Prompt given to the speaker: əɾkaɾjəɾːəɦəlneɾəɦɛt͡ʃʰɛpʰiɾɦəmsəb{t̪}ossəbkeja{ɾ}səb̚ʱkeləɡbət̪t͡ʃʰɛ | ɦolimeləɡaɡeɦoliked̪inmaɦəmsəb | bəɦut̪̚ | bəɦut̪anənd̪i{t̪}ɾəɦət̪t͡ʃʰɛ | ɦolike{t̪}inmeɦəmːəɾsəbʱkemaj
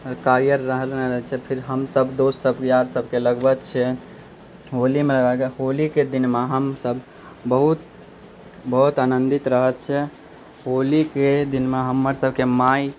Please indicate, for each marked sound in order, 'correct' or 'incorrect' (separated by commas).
incorrect, correct, correct, incorrect